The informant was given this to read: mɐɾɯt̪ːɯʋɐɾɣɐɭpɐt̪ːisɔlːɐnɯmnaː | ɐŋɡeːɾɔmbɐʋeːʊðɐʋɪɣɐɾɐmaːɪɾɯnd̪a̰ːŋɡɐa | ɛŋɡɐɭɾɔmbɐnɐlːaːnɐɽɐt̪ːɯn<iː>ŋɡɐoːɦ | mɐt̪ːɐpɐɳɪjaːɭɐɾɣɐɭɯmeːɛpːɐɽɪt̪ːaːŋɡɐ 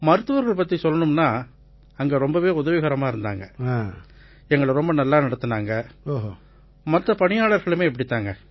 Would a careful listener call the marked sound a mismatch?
yes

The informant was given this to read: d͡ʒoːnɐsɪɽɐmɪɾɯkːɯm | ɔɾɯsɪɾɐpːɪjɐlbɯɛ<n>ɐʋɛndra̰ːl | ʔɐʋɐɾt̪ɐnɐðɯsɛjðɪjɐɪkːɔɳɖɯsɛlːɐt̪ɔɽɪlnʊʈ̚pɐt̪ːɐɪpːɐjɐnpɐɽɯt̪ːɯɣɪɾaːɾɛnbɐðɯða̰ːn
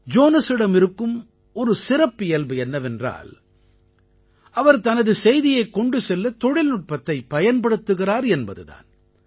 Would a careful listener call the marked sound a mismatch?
yes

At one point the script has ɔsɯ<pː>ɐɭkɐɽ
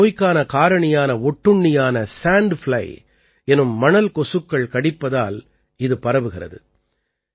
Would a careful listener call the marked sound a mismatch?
yes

